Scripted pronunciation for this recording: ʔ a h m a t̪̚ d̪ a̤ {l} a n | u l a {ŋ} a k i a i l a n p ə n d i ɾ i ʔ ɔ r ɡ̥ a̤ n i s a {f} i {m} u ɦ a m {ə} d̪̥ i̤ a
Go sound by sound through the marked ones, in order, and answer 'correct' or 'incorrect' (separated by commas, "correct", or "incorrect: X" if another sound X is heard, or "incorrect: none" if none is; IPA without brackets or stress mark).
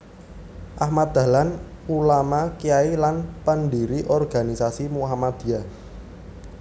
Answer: correct, incorrect: m, incorrect: s, correct, incorrect: a